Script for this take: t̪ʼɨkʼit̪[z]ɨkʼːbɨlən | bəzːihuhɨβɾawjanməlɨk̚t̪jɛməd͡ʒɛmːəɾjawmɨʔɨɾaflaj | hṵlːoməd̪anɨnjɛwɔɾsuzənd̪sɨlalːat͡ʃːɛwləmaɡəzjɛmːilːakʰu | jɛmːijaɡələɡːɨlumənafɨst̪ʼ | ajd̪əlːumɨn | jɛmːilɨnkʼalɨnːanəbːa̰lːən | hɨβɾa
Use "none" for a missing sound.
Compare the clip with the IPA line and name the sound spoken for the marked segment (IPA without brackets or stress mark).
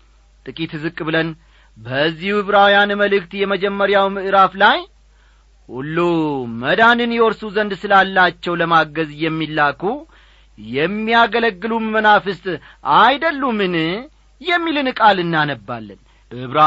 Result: z